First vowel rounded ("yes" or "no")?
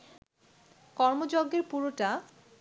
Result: yes